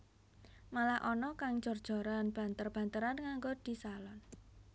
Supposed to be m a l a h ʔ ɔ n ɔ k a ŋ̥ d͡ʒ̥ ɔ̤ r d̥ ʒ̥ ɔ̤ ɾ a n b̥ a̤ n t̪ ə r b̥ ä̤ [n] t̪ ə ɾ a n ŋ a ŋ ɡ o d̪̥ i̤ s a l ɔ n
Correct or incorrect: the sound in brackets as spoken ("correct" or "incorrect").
correct